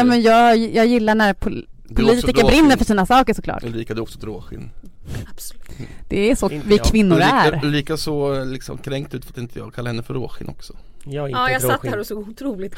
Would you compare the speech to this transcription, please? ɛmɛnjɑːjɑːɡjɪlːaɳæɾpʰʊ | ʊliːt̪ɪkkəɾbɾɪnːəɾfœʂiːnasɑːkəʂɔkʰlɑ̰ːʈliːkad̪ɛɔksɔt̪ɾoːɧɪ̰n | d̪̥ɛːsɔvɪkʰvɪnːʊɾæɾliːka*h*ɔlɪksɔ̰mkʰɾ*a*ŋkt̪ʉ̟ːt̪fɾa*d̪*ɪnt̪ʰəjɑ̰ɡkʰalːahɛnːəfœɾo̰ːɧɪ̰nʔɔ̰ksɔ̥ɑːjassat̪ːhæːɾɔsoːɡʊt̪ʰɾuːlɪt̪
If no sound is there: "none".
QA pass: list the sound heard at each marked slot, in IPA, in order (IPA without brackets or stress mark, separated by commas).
s, ɛ, t̪